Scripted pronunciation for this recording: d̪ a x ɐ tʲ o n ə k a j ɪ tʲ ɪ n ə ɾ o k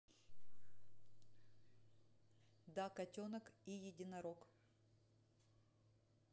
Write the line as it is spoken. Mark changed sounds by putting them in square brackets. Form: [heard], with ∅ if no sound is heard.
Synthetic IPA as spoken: d̪ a [k] ɐ tʲ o n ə k [i] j ɪ [dʲ] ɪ n [ɐ] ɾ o k